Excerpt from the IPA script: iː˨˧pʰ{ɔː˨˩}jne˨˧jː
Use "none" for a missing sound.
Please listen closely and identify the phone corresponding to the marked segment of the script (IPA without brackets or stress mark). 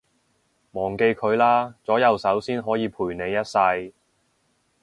uː˨˩